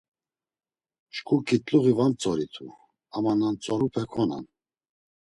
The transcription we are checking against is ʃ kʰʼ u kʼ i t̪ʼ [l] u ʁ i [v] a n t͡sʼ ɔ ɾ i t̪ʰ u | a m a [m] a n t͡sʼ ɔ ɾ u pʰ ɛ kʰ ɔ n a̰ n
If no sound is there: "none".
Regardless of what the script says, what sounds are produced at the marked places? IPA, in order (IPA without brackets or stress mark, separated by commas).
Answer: l, v, n